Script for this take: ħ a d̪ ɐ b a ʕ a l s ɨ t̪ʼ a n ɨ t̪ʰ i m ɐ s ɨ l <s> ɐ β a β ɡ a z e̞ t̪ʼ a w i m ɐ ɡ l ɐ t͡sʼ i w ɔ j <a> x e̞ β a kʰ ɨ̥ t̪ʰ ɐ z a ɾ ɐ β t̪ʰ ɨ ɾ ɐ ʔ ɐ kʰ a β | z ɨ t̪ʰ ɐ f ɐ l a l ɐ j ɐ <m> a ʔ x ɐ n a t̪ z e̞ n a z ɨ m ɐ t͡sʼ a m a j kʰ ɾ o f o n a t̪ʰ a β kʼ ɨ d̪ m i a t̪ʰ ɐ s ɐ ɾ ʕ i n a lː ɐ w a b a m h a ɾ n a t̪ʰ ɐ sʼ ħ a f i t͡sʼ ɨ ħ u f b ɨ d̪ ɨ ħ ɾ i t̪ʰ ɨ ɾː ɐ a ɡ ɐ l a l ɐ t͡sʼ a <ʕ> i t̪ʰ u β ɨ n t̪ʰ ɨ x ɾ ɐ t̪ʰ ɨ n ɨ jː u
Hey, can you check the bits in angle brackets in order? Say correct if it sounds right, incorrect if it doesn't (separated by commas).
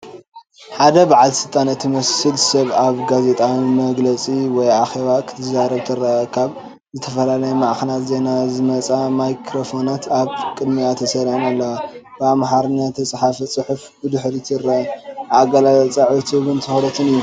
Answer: correct, correct, correct, correct